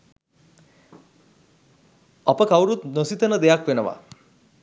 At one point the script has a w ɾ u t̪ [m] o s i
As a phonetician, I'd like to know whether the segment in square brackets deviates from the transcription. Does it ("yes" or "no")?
yes